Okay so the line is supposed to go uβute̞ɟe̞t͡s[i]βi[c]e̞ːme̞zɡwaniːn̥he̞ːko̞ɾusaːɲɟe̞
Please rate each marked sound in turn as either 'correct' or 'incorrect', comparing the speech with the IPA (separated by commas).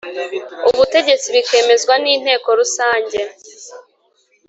correct, incorrect